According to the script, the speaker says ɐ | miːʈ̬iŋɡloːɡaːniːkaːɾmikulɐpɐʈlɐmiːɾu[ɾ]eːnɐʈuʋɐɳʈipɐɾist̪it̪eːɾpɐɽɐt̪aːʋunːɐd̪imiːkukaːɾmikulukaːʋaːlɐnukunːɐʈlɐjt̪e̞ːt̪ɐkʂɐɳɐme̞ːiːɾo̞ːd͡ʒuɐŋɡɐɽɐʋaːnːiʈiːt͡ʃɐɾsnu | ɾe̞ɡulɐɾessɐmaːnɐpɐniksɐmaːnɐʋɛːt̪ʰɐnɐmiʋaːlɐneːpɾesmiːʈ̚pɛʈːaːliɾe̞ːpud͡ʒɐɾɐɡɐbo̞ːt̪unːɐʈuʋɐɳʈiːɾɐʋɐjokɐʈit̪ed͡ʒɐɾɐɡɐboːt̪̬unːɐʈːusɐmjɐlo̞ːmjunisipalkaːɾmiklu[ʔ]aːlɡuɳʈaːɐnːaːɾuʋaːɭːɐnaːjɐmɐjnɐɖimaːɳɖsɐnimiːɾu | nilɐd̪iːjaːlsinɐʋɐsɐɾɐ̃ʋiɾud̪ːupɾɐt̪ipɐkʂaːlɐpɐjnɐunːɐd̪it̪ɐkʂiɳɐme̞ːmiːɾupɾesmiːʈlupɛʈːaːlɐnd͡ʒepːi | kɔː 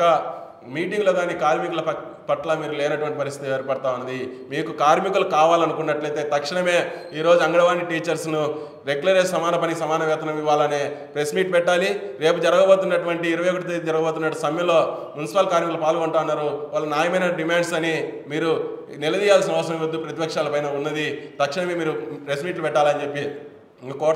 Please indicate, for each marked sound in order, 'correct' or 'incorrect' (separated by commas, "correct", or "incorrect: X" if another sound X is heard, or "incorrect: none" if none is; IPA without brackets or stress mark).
incorrect: l, incorrect: p